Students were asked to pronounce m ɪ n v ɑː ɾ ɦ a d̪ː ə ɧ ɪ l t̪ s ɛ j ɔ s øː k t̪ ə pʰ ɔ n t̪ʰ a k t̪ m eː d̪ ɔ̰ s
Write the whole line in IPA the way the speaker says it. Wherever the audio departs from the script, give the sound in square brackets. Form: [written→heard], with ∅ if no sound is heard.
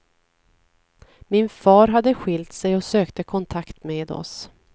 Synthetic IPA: m ɪ n [v→f] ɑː ɾ ɦ a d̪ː ə ɧ ɪ l t̪ s ɛ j ɔ s øː k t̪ ə [pʰ→kʰ] ɔ n t̪ʰ a k t̪ m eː d̪ ɔ̰ s